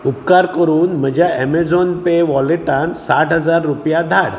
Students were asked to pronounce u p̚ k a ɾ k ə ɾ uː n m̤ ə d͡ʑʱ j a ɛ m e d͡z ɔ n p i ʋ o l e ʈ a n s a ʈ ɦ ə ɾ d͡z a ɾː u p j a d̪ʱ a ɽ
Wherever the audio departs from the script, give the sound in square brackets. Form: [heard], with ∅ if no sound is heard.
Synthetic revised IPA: u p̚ k a ɾ k ə ɾ uː n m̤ ə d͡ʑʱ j a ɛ m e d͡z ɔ n p [e] ʋ [ɔ] l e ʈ a n s a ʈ ɦ ə [∅] d͡z a ɾː u p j a d̪ʱ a ɽ